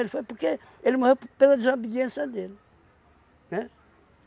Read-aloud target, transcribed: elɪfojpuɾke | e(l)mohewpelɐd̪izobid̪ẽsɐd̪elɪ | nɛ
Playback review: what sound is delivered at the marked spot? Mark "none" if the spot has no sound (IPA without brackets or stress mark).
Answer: l